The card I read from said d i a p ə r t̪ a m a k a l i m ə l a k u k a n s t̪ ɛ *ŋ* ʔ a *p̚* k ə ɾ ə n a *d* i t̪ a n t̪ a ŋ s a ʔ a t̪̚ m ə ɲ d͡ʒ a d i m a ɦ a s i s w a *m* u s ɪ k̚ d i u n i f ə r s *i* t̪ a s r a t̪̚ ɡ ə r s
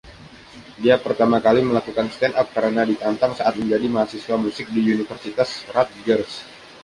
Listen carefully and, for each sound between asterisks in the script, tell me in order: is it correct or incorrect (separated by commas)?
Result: incorrect, correct, correct, correct, correct